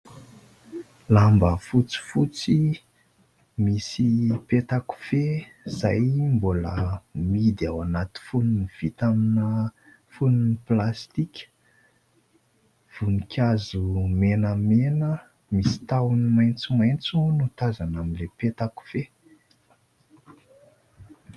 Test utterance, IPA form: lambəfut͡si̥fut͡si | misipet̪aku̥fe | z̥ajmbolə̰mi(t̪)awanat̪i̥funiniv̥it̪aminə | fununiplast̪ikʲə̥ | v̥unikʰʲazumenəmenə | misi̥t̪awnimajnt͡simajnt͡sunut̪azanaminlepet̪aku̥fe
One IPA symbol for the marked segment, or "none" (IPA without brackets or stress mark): d̪